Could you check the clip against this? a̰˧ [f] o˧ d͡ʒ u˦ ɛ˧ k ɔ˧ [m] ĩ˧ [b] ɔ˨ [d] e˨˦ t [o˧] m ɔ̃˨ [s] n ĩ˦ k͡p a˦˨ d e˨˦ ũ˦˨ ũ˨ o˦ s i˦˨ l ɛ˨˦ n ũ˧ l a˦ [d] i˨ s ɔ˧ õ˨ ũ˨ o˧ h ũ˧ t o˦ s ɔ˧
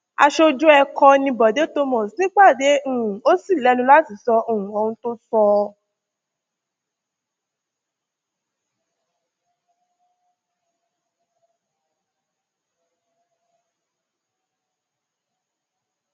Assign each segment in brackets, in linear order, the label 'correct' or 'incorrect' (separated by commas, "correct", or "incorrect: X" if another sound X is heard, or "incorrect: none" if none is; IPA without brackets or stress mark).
incorrect: ʃ, incorrect: n, correct, correct, correct, correct, incorrect: t